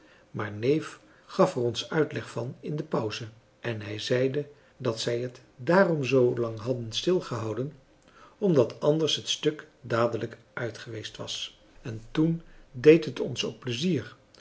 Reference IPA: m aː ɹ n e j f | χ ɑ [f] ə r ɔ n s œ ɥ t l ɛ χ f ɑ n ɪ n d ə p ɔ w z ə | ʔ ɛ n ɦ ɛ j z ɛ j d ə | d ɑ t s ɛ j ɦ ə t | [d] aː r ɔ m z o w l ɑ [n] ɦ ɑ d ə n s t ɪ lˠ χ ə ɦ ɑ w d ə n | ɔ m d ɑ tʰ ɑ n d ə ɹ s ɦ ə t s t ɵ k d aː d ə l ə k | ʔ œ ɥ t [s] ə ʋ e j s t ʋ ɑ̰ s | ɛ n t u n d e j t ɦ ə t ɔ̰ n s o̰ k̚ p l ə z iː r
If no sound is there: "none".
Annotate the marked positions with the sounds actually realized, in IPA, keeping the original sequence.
f, d, ŋ, χ

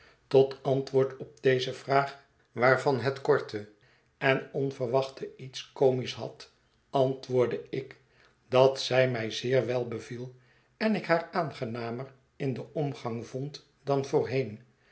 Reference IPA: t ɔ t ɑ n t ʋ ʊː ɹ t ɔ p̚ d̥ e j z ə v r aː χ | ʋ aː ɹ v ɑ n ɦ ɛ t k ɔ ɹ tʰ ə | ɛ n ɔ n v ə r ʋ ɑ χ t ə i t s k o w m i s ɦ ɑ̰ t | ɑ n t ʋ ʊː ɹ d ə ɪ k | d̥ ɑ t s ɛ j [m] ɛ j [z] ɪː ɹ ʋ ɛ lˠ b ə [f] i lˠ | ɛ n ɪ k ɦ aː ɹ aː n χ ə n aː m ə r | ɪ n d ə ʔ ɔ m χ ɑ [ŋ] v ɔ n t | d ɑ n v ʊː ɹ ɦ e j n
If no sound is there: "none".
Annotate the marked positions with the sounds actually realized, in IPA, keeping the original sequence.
m, z, v, ŋ

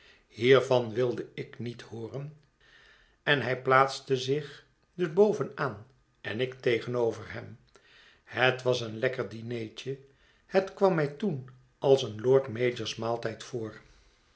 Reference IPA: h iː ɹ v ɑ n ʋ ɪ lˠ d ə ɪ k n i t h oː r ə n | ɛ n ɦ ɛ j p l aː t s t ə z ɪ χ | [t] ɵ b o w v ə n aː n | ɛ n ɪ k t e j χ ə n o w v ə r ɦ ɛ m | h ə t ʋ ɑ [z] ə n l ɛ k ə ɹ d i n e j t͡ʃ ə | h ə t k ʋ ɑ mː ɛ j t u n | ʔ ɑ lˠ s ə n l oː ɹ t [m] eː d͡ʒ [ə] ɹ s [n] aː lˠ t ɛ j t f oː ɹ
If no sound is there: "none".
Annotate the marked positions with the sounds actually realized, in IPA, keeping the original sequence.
d, s, m, ə, m

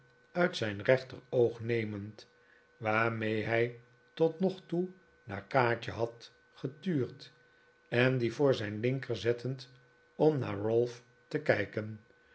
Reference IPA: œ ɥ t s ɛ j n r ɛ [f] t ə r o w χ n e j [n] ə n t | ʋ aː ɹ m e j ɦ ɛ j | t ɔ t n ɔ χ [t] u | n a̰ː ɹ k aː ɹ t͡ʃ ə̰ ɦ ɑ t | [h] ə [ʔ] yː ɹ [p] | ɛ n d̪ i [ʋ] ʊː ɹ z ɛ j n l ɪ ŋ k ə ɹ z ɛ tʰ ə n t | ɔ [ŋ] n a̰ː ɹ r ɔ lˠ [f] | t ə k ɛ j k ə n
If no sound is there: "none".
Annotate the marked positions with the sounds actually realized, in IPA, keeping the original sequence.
χ, m, t, χ, t, t, v, m, f

